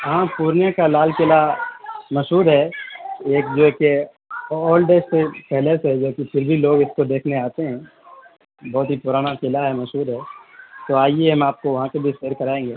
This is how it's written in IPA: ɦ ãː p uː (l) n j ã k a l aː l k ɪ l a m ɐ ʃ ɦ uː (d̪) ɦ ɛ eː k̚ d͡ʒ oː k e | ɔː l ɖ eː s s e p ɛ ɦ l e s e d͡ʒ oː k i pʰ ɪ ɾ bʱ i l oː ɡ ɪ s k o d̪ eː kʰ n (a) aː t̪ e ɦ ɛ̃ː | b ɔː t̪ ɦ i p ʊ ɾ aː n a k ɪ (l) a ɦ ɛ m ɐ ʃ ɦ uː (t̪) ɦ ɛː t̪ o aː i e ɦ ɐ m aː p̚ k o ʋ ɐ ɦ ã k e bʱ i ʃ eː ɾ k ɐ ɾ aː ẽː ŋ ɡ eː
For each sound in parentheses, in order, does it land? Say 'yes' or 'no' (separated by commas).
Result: no, yes, no, yes, no